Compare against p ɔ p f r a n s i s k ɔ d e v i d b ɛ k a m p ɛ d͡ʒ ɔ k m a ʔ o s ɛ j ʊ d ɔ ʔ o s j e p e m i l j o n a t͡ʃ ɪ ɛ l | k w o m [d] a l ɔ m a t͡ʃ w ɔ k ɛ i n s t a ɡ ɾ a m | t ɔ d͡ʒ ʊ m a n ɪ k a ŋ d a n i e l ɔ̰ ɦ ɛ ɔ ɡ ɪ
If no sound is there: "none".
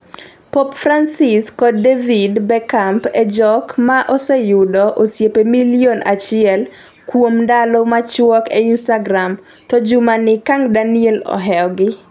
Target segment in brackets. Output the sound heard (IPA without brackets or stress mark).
d